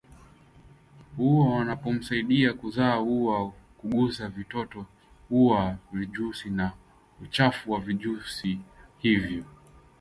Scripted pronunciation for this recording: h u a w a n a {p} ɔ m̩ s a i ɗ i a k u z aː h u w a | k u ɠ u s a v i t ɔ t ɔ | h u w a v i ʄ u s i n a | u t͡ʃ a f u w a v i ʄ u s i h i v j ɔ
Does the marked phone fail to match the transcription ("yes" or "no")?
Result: no